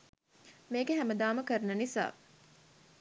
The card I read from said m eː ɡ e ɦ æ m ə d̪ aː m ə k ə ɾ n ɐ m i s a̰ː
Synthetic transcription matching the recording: m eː ɡ e ɦ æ m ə d̪ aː m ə k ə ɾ n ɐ n i s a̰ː